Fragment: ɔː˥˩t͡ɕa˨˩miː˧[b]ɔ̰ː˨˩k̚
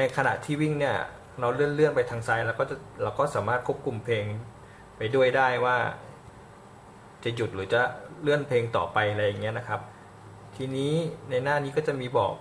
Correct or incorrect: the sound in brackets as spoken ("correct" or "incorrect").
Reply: correct